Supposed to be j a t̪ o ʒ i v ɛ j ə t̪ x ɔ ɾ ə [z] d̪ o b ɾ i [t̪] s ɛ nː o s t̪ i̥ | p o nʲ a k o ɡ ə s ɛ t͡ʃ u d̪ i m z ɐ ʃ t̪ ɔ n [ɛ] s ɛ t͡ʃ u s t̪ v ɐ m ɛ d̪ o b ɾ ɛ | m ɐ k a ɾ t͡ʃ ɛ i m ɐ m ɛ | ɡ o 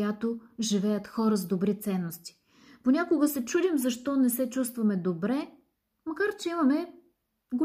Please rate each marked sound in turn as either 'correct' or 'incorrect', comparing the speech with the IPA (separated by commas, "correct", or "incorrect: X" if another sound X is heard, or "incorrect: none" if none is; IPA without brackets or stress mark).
correct, correct, correct